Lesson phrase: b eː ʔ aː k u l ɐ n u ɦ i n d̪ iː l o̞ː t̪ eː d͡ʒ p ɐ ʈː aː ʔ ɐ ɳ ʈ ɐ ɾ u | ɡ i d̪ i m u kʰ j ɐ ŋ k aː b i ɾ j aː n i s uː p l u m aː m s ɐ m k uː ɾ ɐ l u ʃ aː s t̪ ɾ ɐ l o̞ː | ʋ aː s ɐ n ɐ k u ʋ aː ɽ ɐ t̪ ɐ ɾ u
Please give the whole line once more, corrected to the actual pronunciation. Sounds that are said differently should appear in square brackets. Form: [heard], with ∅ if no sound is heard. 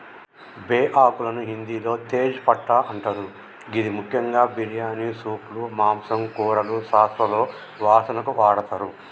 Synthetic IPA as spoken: b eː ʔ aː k u l ɐ n u ɦ i n d̪ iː l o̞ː t̪ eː d͡ʒ p ɐ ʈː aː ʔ ɐ ɳ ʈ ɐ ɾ u | ɡ i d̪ i m u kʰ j ɐ ŋ [ɡ] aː b i ɾ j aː n i s uː p l u m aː m s ɐ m k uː ɾ ɐ l u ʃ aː s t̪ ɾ ɐ l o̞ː | ʋ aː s ɐ n ɐ k u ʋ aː ɽ ɐ t̪ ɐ ɾ u

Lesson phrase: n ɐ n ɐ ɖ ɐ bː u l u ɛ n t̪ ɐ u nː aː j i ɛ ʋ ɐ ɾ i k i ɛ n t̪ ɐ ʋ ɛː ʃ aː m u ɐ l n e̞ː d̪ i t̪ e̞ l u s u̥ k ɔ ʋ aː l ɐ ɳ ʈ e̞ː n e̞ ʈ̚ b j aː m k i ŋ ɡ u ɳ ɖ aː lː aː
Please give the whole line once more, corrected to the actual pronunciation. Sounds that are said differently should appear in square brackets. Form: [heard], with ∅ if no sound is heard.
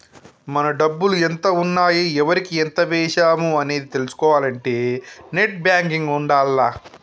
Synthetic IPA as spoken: [m] ɐ n ɐ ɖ ɐ bː u l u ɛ n t̪ ɐ u nː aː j i ɛ ʋ ɐ ɾ i k i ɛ n t̪ ɐ ʋ ɛː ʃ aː m u ɐ [∅] n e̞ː d̪ i t̪ e̞ l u s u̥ k [ɔː] ʋ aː l ɐ ɳ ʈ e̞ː n e̞ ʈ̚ b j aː [ŋ] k i ŋ ɡ u ɳ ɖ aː lː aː

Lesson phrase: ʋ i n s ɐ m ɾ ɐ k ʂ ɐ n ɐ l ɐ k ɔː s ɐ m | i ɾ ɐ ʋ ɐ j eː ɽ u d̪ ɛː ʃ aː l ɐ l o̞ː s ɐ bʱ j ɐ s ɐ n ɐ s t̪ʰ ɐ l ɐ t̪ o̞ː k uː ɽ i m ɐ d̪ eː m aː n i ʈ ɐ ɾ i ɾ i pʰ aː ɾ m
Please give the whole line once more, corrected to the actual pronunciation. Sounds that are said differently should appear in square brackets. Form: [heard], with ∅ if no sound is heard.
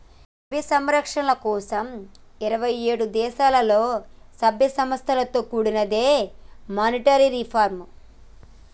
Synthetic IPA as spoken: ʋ i [∅] s ɐ m ɾ ɐ k ʂ ɐ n ɐ l ɐ k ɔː s ɐ m | i ɾ ɐ ʋ ɐ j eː ɽ u d̪ ɛː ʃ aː l ɐ l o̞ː s ɐ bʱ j ɐ s ɐ [m] ɐ s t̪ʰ ɐ l ɐ t̪ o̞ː k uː ɽ i [n] ɐ d̪ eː m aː n i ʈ ɐ ɾ i ɾ i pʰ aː ɾ m

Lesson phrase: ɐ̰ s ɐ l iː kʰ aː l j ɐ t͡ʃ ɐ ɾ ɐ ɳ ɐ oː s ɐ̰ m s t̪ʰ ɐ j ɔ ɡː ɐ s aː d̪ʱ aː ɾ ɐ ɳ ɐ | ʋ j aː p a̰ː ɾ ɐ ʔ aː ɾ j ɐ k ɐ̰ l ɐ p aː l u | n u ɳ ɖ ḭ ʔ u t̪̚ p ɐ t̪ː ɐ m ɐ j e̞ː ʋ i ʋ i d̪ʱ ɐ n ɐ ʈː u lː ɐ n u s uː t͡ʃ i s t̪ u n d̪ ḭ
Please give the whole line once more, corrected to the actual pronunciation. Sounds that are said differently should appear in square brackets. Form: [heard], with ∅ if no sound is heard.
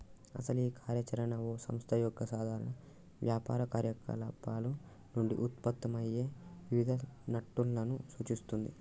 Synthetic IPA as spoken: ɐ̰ s ɐ l iː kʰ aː [ɾ] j ɐ t͡ʃ ɐ ɾ ɐ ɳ ɐ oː s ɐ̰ m s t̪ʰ ɐ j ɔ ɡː ɐ s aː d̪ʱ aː ɾ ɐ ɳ ɐ | ʋ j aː p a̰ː ɾ ɐ [k] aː ɾ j ɐ k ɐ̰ l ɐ p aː l u | n u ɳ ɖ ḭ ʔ u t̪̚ p ɐ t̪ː ɐ m ɐ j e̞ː ʋ i ʋ i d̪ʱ ɐ n ɐ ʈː u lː ɐ n u s uː t͡ʃ i s t̪ u n d̪ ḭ

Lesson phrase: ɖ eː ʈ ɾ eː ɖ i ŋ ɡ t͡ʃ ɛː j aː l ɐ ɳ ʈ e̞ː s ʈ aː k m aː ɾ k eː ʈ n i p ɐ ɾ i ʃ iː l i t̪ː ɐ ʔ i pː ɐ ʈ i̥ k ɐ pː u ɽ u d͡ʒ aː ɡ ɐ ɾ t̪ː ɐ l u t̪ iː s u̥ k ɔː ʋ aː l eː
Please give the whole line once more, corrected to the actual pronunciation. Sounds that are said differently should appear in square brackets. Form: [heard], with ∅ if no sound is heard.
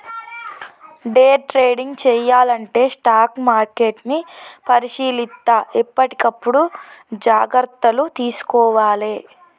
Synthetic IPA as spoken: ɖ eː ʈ ɾ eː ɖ i ŋ ɡ t͡ʃ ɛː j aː l ɐ ɳ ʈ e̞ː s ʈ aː k m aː ɾ k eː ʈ n i p ɐ ɾ i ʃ iː l i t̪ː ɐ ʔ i pː ɐ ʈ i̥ k ɐ pː u ɽ u d͡ʒ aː ɡ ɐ ɾ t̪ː ɐ l u t̪ iː s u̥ k ɔː ʋ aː l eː

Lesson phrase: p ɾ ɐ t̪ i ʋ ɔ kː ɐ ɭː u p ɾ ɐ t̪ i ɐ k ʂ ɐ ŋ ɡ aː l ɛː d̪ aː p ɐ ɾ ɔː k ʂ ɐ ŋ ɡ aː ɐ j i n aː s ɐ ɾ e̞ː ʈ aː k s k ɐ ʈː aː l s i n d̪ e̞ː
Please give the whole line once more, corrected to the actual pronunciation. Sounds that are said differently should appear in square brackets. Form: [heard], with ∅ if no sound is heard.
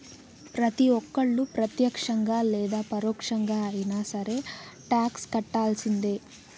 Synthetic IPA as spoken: p ɾ ɐ t̪ i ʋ ɔ kː ɐ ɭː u p ɾ ɐ t̪ [j] ɐ k ʂ ɐ ŋ ɡ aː l ɛː d̪ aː p ɐ ɾ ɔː k ʂ ɐ ŋ ɡ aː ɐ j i n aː s ɐ ɾ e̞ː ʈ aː k s k ɐ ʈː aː l s i n d̪ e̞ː

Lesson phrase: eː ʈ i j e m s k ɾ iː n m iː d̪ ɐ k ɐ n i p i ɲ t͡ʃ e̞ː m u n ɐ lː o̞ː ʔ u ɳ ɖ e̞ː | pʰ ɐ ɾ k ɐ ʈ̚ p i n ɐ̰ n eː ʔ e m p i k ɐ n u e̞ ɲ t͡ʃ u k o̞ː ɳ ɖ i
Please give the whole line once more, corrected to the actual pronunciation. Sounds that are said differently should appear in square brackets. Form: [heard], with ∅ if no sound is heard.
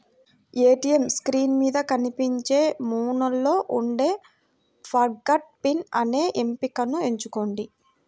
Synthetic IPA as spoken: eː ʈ i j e m s k ɾ iː n m iː d̪ ɐ k ɐ n i p i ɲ t͡ʃ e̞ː m [uː] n ɐ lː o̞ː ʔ u ɳ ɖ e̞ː | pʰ ɐ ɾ [ɡ] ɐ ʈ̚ p i n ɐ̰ n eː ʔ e m p i k ɐ n u e̞ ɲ t͡ʃ u k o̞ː ɳ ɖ i

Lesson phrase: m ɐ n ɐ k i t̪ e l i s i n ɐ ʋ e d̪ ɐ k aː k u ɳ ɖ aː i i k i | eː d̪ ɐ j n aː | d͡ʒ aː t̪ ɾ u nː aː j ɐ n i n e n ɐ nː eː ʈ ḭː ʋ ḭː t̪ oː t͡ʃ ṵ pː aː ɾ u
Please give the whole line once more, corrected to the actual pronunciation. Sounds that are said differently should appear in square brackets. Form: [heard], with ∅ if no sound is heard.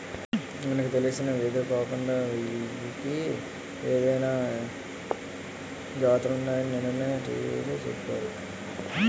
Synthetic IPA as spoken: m ɐ n ɐ k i t̪ e l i s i n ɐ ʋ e d̪ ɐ k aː k u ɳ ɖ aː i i k i | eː d̪ ɐ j n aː | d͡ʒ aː t̪ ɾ u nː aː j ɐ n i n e n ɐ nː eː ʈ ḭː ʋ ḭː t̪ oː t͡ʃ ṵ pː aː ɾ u

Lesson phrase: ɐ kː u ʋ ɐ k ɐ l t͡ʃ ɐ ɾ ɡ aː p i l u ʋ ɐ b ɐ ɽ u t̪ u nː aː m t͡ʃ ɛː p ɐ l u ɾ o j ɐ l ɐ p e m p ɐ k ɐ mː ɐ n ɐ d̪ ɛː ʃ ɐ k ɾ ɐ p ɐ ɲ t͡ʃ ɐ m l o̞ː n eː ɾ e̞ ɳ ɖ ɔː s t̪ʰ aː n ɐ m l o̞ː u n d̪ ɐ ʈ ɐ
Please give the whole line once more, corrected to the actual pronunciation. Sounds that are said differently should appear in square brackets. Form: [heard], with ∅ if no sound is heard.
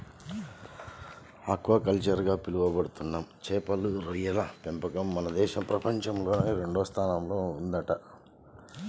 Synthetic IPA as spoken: ɐ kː u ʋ ɐ k ɐ l t͡ʃ ɐ ɾ ɡ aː p i l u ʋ ɐ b ɐ ɽ u t̪ u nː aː m t͡ʃ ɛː p ɐ l u ɾ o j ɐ l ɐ p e m p ɐ k ɐ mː ɐ n ɐ d̪ ɛː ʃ ɐ [p] ɾ ɐ p ɐ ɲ t͡ʃ ɐ m l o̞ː n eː ɾ e̞ ɳ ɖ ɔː s t̪ʰ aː n ɐ m l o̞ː u n d̪ ɐ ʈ ɐ

